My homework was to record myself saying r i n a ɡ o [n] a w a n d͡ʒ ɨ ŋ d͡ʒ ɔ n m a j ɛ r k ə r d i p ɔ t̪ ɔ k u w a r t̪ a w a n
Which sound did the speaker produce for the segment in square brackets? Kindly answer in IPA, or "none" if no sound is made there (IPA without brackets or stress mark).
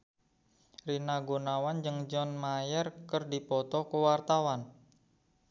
n